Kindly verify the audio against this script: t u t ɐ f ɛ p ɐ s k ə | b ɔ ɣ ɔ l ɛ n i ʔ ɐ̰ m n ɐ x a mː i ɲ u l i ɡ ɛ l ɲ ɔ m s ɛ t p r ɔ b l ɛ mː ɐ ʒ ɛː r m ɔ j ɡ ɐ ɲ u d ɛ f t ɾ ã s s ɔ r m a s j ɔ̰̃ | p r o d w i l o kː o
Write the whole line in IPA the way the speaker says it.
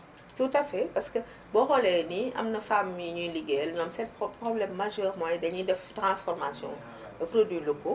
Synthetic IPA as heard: t u t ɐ f ɛ p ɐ s k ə | b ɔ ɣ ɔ l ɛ n i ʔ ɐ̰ m n ɐ f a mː i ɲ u l i ɡ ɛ l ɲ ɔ m s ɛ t p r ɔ b l ɛ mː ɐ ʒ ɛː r m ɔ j d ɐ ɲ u d ɛ f t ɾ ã s f ɔ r m a s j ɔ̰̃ | p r o d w i l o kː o